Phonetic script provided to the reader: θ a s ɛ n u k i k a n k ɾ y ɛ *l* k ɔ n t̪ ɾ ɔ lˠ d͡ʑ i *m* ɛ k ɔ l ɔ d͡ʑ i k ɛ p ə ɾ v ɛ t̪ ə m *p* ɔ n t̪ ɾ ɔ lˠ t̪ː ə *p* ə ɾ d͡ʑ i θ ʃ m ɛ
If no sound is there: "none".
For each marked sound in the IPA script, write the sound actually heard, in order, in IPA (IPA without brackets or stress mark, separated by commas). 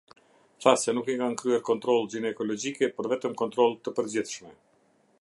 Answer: ɾ, n, k, p